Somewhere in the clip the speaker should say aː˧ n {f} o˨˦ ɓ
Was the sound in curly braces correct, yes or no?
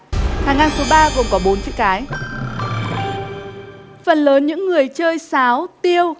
no